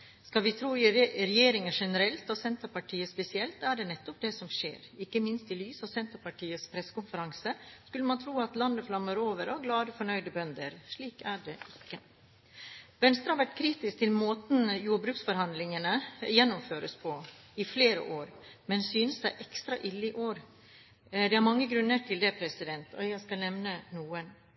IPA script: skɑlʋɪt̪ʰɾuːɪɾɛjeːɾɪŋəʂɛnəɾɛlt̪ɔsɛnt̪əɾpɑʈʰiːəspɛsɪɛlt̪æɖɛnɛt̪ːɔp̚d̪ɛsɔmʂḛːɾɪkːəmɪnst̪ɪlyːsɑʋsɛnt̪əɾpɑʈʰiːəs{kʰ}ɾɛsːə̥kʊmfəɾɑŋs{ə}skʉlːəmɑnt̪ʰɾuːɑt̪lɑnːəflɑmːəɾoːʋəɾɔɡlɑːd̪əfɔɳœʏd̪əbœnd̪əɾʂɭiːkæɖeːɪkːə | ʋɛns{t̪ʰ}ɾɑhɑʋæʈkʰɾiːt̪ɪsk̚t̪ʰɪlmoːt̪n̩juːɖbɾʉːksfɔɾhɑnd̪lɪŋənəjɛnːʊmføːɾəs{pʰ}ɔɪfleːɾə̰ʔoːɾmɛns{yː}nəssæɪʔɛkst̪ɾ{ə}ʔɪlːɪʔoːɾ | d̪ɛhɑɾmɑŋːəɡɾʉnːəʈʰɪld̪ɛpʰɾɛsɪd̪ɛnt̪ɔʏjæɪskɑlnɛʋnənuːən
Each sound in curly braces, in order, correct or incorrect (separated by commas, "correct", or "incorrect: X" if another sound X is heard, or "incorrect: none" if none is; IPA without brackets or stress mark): incorrect: pʰ, correct, incorrect: t̪, correct, correct, incorrect: ɑ